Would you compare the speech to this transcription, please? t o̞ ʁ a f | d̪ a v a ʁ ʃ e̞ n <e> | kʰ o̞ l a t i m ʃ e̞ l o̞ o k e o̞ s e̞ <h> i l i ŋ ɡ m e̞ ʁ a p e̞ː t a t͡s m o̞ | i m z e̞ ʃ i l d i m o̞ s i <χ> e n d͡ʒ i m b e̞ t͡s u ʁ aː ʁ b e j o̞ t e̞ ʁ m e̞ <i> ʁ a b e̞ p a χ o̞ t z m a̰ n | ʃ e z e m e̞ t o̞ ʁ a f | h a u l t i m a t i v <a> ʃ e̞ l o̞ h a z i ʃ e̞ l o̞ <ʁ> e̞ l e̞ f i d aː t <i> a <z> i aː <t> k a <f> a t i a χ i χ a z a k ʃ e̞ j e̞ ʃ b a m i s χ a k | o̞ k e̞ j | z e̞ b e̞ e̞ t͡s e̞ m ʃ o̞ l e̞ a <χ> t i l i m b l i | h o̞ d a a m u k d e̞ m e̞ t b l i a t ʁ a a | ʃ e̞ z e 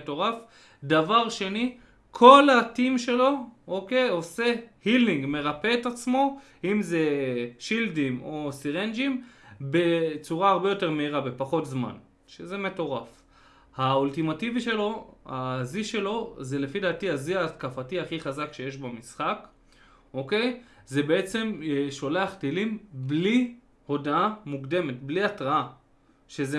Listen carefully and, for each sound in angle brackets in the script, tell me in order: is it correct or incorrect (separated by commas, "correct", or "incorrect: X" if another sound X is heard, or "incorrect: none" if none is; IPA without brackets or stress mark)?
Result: incorrect: i, correct, incorrect: ʁ, correct, incorrect: i, incorrect: z, correct, correct, correct, correct, correct